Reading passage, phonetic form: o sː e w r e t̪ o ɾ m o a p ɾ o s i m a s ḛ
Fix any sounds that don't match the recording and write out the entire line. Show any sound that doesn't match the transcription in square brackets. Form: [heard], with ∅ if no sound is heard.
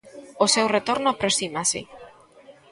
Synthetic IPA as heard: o [s] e w r e t̪ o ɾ [n] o a p ɾ o s i m a s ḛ